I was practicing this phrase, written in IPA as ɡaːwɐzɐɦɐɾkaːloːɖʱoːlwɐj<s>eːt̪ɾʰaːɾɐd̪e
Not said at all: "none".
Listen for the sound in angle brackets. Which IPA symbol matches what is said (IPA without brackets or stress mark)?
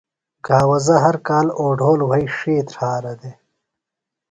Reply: ʂ